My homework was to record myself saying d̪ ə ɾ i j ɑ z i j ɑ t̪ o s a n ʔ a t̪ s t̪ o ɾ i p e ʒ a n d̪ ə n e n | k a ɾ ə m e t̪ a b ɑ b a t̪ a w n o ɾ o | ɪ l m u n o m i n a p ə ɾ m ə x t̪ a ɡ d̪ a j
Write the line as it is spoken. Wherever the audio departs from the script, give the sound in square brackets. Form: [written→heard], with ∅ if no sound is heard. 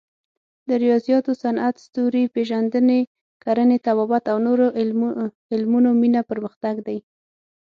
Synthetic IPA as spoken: d̪ ə ɾ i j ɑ z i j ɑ t̪ o s a n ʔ a t̪ s t̪ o ɾ i p e ʒ a n d̪ ə n e [n→∅] | k a ɾ ə [m→n] e t̪ a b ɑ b a t̪ a w n o ɾ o | ɪ l m u n o m i n a p ə ɾ m ə x t̪ a ɡ d̪ a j